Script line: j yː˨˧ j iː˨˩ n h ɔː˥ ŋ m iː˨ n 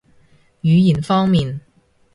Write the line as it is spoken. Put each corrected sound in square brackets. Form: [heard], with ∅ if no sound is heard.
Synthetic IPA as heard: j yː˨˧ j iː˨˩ n [f] ɔː˥ ŋ m iː˨ n